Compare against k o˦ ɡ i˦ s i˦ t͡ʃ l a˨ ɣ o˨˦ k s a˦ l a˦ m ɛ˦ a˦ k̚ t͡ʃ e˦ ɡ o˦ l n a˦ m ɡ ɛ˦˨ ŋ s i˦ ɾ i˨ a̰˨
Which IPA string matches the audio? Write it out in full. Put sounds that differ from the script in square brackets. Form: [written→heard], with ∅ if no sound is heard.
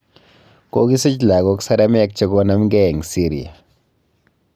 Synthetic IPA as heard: k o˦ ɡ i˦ s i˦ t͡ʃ l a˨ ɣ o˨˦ k s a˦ [l→ɾ] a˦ m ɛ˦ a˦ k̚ t͡ʃ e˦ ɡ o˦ [l→∅] n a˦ m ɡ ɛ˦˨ ŋ s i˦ ɾ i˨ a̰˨